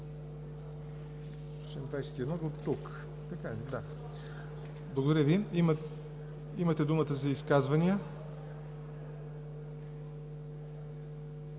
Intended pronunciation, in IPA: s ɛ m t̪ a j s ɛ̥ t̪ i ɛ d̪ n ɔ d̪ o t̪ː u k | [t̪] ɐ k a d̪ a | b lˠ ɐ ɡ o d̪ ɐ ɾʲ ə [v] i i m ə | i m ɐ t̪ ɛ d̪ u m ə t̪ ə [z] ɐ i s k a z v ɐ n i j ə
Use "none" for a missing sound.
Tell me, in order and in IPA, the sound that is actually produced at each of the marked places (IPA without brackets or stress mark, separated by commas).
t̪, v, z